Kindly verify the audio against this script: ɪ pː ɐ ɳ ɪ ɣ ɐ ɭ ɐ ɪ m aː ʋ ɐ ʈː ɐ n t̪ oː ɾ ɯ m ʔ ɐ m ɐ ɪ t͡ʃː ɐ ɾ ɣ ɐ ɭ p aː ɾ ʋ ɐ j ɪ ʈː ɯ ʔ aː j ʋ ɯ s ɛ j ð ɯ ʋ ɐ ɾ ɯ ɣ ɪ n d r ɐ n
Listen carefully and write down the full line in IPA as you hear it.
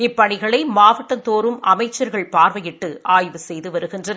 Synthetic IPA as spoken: ɪ pː ɐ ɳ ɪ ɣ ɐ ɭ ɐ ɪ m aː ʋ ɐ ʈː ɐ n t̪ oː ɾ ɯ m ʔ ɐ m ɐ ɪ t͡ʃː ɐ ɾ ɣ ɐ ɭ p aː ɾ ʋ ɐ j ɪ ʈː ɯ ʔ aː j ʋ ɯ s ɛ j ð ɯ ʋ ɐ ɾ ɯ ɣ ɪ n d r ɐ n

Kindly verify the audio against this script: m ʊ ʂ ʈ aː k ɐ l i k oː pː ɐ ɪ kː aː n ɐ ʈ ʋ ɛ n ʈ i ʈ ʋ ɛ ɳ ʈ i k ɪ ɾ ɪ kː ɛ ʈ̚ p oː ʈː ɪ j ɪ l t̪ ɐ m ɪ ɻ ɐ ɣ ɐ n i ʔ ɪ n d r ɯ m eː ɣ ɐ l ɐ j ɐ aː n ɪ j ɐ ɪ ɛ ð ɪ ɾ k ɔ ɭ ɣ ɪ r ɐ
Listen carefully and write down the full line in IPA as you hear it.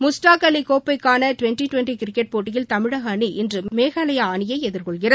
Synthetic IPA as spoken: m ʊ s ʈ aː k ɐ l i k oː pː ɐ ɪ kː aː n ɐ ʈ ʋ ɛ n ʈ i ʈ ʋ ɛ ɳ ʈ i k ɪ ɾ ɪ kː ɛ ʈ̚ p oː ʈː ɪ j ɪ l t̪ ɐ m ɪ ɻ ɐ ɣ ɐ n i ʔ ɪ n d r ɯ m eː ɣ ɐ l ɐ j ɐ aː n ɪ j ɐ ɪ ɛ ð ɪ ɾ k ɔ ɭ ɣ ɪ r ɐ

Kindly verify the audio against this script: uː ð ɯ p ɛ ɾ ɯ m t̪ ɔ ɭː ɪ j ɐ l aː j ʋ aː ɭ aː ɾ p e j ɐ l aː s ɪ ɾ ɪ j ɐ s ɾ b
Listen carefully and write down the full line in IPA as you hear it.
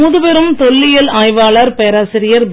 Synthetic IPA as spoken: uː ð ɯ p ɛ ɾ ɯ m t̪ ɔ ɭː ɪ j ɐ l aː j ʋ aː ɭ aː ɾ p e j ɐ ɾ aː s ɪ ɾ ɪ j ɐ ɾ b

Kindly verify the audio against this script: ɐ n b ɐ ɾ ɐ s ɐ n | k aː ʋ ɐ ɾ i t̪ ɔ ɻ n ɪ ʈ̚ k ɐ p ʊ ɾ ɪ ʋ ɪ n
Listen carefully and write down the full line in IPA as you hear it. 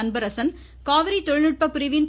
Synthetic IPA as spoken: ɐ n b ɐ ɾ ɐ s ɐ n | k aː ʋ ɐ ɾ i t̪ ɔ ɻ n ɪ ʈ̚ p ɐ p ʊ ɾ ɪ ʋ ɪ n

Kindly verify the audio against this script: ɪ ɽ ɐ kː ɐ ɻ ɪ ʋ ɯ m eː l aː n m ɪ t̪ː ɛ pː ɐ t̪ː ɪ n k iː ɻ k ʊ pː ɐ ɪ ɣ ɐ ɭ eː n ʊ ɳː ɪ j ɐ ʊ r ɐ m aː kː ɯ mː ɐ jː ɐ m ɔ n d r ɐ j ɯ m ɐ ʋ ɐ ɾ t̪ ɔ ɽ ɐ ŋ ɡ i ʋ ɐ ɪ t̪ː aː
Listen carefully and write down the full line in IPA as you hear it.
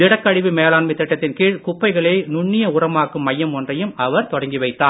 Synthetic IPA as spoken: ɪ ɽ ɐ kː ɐ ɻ ɪ ʋ ɯ m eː l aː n m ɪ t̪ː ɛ ʈː ɐ t̪ː ɪ n k iː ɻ k ʊ pː ɐ ɪ ɣ ɐ ɭ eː n ʊ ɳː ɪ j ɐ ʊ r ɐ m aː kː ɯ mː ɐ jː ɐ m ɔ n d r ɐ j ɯ m ɐ ʋ ɐ ɾ t̪ ɔ ɽ ɐ ŋ ɡ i ʋ ɐ ɪ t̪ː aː

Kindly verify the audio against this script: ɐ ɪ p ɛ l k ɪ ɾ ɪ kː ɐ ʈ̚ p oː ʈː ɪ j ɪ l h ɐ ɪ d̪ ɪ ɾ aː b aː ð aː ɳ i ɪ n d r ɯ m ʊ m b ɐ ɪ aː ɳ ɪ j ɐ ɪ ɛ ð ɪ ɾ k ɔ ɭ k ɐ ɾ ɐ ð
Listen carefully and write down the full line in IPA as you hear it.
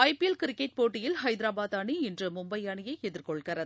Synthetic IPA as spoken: ɐ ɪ p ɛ l k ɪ ɾ ɪ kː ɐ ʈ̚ p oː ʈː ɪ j ɪ l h ɐ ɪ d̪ ɪ ɾ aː b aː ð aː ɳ i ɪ n d r ɯ m ʊ m b ɐ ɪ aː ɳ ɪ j ɐ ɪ ɛ ð ɪ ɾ k ɔ ɭ k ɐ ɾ ɐ ð

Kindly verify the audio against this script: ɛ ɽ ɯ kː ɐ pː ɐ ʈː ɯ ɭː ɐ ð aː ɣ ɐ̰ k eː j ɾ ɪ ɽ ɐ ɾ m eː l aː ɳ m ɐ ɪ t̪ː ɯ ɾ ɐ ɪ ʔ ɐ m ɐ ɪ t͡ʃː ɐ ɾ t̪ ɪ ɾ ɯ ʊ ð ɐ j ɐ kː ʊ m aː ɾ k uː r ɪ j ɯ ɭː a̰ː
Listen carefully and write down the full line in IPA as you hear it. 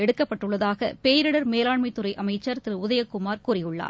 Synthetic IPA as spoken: ɛ ɽ ɯ kː ɐ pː ɐ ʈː ɯ ɭː ɐ ð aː ɣ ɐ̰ p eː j ɾ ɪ ɽ ɐ ɾ m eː l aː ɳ m ɐ ɪ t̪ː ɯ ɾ ɐ ɪ ʔ ɐ m ɐ ɪ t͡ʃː ɐ ɾ t̪ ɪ ɾ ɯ ʊ ð ɐ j ɐ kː ʊ m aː ɾ k uː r ɪ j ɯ ɭː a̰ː

